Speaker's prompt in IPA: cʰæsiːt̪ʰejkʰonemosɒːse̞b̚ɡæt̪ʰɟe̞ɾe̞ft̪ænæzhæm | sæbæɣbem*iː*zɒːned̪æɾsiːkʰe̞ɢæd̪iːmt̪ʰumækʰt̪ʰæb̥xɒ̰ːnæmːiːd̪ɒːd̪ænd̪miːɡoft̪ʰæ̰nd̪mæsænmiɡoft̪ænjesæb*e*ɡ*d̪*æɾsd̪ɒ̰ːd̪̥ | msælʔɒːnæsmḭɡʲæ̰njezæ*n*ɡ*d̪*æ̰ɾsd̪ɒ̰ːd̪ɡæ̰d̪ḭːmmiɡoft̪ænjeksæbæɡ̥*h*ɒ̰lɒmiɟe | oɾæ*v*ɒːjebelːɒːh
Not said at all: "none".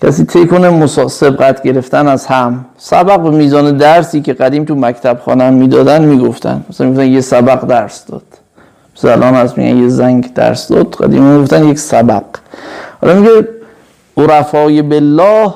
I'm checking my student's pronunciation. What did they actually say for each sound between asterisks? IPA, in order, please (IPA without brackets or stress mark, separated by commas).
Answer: iː, æ, d̪, ŋ, d̪, h, f